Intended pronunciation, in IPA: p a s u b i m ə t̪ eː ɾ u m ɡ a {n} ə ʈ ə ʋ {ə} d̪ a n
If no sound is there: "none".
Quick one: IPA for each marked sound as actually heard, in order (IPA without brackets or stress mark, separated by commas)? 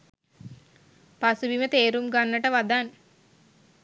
nː, a